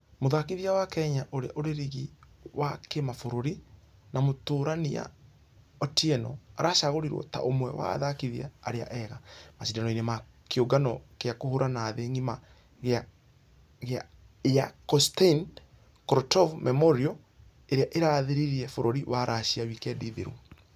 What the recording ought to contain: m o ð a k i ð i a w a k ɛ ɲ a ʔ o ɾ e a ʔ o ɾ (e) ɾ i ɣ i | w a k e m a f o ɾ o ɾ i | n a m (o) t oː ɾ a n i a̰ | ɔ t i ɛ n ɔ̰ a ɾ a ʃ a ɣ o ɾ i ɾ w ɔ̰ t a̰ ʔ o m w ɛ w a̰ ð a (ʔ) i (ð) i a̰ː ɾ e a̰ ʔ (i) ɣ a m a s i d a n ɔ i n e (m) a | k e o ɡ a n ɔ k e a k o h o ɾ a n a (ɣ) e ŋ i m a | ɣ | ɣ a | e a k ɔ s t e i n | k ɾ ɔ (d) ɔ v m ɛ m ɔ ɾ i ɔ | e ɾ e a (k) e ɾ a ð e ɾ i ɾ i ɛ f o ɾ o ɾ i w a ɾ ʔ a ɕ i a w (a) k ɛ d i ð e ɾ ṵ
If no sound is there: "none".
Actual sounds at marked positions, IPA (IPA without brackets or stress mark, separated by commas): e, o, k, ð, ɛ, m, ð, t, ʔ, i